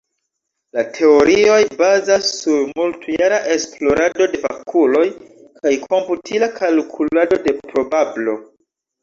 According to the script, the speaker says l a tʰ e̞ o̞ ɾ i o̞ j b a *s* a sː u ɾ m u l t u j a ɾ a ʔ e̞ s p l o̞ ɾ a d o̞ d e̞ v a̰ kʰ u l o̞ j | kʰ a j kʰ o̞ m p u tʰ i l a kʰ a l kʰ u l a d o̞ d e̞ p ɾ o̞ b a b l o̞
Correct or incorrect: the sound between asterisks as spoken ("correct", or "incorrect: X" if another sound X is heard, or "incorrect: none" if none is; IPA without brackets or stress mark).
incorrect: z